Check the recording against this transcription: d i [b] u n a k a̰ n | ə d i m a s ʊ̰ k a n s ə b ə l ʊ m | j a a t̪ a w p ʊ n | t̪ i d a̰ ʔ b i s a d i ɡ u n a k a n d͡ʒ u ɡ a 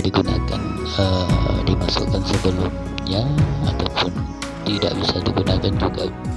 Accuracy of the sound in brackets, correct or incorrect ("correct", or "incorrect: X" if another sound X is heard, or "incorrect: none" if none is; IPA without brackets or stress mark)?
incorrect: ɡ